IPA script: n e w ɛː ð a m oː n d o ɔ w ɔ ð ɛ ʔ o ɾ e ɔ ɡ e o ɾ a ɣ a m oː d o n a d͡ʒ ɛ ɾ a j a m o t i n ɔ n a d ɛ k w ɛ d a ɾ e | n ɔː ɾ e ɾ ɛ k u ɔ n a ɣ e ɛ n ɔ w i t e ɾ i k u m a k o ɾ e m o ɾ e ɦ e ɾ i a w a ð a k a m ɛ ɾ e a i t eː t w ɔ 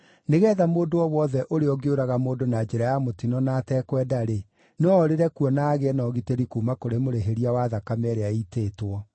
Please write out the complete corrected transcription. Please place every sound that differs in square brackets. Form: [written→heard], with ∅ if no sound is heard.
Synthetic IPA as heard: n e [w→ɣ] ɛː ð a m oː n d o ɔ w ɔ ð ɛ ʔ o ɾ e ɔ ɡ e o ɾ a ɣ a m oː d o n a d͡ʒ ɛ ɾ a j a m o t i n ɔ n a [d→t] ɛ k w ɛ d a ɾ e | n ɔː ɾ e ɾ ɛ k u ɔ n a ɣ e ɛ n ɔ [w→ɣ] i t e ɾ i k u m a k o ɾ e m o ɾ e ɦ e ɾ i a w a ð a k a m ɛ ɾ e a i t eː t w ɔ